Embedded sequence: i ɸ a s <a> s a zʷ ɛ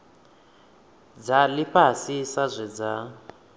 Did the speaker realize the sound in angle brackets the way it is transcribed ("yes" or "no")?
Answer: no